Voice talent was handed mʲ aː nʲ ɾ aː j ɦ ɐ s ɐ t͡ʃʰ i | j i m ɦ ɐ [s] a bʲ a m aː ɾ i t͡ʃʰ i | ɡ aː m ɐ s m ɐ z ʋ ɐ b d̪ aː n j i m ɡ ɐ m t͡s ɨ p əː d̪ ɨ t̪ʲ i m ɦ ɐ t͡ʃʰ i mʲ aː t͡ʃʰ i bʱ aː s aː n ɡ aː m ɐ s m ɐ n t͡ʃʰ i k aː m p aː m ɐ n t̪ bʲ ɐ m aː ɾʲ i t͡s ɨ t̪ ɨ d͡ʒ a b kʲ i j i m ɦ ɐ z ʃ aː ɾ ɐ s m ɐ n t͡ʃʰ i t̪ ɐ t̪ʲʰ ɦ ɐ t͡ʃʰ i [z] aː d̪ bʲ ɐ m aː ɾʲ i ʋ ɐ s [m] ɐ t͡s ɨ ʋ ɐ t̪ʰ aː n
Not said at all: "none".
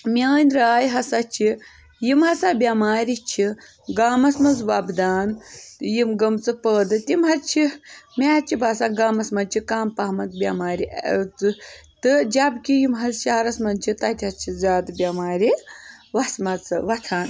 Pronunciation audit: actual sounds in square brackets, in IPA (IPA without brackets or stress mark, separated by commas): s, z, m